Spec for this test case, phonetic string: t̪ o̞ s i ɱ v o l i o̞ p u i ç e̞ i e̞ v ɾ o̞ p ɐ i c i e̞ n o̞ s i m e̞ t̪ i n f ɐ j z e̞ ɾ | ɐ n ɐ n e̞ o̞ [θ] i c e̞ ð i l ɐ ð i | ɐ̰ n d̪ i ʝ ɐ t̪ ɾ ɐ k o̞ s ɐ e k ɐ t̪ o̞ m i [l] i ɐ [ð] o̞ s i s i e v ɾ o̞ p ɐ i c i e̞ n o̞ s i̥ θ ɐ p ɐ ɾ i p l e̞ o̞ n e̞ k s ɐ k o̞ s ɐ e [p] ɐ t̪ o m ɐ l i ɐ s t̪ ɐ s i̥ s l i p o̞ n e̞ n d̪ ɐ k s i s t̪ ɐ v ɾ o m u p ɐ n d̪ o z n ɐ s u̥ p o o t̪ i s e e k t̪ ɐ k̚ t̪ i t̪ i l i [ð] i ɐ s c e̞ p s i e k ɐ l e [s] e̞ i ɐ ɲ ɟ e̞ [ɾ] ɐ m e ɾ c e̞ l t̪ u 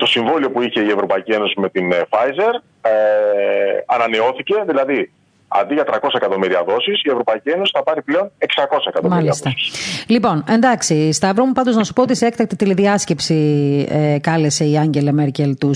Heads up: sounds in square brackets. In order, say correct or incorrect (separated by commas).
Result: correct, incorrect, correct, incorrect, correct, correct, incorrect